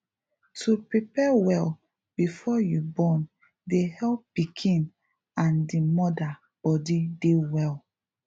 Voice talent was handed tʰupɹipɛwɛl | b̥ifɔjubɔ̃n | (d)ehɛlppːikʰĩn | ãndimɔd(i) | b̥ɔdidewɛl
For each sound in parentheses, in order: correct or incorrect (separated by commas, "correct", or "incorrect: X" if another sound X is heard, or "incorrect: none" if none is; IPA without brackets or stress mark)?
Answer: correct, incorrect: a